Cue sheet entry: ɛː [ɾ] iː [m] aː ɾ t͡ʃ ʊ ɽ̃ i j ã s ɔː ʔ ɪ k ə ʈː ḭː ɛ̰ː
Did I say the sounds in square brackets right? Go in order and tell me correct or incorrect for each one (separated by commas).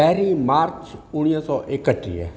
correct, correct